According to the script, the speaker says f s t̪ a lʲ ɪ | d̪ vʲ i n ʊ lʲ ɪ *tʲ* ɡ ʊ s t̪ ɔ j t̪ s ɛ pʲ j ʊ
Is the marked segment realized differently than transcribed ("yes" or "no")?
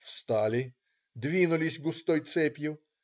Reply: yes